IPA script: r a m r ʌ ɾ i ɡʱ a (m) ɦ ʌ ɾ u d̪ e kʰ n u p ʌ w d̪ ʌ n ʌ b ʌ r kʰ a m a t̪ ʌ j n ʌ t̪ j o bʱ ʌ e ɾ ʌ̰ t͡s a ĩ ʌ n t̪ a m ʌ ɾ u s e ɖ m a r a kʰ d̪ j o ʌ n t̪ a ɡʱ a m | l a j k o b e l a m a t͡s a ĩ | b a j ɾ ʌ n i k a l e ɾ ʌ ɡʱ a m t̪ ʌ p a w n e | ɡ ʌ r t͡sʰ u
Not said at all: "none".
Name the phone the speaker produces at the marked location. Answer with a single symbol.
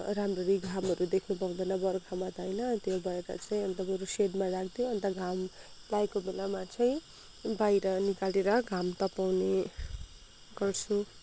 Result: m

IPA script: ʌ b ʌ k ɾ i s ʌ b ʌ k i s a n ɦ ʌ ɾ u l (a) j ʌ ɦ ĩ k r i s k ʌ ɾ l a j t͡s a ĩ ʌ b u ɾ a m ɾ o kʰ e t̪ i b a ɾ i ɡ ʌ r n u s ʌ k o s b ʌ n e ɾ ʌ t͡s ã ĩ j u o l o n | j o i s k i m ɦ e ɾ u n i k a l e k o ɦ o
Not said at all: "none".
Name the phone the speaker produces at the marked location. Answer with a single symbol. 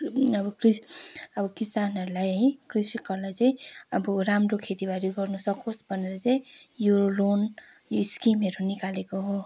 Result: a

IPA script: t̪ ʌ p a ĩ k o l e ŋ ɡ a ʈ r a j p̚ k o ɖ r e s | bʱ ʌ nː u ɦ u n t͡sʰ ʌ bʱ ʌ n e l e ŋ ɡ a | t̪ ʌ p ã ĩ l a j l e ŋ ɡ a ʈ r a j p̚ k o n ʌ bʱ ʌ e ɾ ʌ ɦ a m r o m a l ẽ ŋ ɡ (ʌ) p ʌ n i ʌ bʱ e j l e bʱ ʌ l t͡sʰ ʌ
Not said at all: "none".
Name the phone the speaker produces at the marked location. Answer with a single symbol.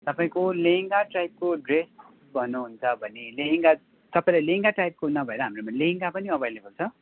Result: a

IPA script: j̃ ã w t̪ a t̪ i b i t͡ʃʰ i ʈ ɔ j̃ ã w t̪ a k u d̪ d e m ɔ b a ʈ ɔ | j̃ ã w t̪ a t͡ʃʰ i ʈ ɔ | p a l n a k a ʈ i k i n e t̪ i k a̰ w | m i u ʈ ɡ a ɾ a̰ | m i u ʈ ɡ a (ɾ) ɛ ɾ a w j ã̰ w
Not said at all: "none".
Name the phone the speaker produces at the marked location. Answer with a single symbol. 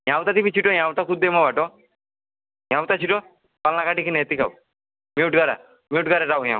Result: ɾ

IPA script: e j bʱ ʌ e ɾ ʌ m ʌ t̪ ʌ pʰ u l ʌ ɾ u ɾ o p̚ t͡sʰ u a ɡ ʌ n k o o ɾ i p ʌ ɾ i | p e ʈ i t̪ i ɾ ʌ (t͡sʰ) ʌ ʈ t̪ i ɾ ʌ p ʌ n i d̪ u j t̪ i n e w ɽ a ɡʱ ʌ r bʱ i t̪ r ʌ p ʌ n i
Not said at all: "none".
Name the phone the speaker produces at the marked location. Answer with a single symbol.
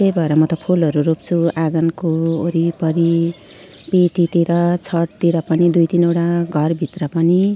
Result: t͡sʰ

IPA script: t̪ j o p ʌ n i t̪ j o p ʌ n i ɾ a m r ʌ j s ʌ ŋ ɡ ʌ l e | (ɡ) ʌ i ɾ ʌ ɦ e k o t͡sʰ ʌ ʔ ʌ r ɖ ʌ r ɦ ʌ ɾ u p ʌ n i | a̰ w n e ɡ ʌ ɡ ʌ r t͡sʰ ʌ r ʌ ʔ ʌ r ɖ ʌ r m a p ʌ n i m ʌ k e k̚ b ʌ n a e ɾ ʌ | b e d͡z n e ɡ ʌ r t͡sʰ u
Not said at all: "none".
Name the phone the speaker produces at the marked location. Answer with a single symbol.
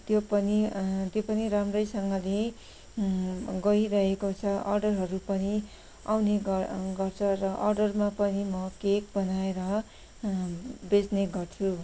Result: ɡ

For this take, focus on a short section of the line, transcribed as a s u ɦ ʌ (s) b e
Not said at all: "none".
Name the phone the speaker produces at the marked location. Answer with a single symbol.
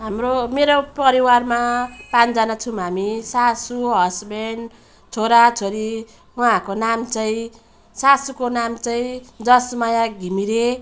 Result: s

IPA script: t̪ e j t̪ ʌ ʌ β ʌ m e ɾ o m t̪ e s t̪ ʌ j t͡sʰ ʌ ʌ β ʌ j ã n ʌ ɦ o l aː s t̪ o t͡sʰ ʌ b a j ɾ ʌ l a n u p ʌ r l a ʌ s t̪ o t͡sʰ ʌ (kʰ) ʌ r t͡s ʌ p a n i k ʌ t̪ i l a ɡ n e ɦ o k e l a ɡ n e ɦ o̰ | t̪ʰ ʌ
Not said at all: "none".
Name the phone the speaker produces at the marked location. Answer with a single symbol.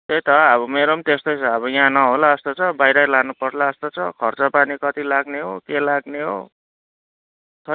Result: kʰ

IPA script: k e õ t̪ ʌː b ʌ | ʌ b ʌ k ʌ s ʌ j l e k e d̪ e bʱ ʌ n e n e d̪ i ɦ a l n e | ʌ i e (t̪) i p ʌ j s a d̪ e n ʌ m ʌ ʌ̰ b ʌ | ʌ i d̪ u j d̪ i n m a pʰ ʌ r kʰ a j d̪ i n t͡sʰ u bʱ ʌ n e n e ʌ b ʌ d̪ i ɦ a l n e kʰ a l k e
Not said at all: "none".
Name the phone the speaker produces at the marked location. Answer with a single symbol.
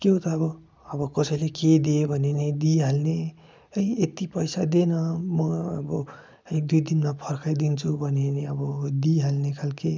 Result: t̪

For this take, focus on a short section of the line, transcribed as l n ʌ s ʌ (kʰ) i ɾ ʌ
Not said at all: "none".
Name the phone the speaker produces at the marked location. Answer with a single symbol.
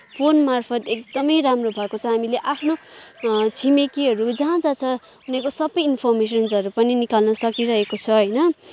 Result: k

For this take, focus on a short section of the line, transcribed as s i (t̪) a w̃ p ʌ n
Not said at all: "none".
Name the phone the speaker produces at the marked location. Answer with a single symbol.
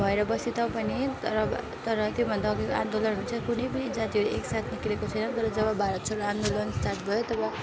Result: t̪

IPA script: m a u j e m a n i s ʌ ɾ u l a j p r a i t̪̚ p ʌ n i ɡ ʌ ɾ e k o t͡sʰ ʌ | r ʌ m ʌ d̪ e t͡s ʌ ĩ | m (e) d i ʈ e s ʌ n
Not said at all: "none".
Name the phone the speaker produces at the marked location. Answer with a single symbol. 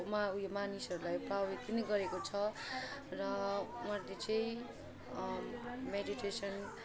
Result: e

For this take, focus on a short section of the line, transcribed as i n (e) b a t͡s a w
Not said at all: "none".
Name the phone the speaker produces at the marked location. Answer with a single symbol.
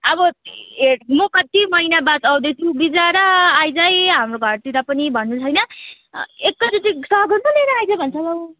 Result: a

